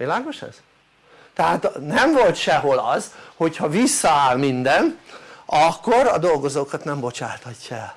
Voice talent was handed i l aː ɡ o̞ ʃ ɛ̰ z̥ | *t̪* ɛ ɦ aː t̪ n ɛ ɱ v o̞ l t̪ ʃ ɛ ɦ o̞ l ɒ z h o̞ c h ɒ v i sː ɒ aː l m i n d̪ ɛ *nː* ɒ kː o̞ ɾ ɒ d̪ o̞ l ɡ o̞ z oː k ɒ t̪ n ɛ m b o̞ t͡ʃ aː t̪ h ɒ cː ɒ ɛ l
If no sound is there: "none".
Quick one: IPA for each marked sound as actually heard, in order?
t̪, n

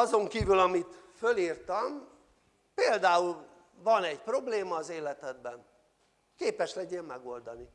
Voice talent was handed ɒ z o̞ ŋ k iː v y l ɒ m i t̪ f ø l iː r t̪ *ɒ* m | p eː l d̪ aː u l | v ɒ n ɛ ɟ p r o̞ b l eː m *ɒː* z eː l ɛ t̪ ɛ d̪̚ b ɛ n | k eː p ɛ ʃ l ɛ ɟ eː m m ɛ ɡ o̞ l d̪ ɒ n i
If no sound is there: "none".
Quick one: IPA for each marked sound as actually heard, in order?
ɒ, ɒː

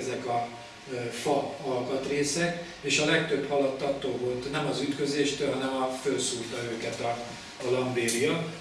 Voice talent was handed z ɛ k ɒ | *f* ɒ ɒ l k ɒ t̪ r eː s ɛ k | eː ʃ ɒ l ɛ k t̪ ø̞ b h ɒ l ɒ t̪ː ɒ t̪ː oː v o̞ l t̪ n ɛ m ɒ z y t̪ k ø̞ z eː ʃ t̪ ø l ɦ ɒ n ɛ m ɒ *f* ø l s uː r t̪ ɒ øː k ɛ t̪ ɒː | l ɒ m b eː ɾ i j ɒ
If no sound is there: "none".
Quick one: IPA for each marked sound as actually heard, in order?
f, f

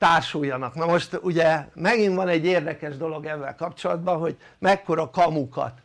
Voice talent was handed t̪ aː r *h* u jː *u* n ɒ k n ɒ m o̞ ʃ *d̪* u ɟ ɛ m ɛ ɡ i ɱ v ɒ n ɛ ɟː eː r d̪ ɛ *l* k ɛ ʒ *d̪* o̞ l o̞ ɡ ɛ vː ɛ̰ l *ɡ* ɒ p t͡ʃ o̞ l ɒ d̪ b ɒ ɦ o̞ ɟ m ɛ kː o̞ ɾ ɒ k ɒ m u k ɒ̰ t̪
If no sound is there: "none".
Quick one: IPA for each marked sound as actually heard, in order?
ʃ, ɒ, t̪, none, d̪, k

